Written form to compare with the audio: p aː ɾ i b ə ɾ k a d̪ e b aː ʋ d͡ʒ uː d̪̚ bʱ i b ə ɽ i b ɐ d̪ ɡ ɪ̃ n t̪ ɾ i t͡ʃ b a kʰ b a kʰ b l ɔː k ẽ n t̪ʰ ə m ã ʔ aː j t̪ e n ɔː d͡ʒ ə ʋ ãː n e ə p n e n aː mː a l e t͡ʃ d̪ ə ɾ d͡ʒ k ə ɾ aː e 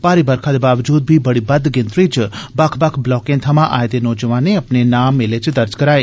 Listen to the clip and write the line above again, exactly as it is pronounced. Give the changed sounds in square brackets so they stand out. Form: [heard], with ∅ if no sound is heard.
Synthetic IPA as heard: p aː ɾ i b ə ɾ [kʰ] a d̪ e b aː ʋ d͡ʒ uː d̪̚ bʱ i b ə ɽ i b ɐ d̪ ɡ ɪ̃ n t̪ ɾ i t͡ʃ b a kʰ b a kʰ b l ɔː k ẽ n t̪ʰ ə m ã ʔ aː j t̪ e n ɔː d͡ʒ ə ʋ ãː n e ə p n e n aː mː [e] l e t͡ʃ d̪ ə ɾ d͡ʒ k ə ɾ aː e